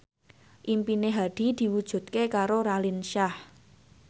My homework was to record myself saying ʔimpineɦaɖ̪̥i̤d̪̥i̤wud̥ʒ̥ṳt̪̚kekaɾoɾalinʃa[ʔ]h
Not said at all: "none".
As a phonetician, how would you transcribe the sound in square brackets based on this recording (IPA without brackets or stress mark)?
none